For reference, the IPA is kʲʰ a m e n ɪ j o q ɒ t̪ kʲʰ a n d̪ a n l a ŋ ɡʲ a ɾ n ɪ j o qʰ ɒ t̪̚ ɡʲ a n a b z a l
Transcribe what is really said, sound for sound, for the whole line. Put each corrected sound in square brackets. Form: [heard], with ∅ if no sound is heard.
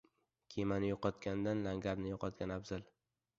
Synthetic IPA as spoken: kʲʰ [e] m [a] n ɪ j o q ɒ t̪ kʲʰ a n d̪ a n l a ŋ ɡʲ a ɾ n ɪ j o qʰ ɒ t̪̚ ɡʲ a n a b z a l